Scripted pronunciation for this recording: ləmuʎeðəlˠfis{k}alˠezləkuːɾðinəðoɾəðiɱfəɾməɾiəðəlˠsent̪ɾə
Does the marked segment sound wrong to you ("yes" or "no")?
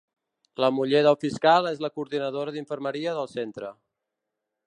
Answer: no